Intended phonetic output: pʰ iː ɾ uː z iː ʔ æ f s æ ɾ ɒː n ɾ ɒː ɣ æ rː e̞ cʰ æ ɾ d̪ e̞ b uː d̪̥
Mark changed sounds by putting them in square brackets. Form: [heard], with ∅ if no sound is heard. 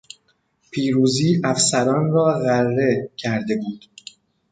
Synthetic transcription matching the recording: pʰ iː ɾ uː z iː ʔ æ f s æ ɾ ɒː n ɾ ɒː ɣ æ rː e̞ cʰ æ ɾ d̪ e̞ b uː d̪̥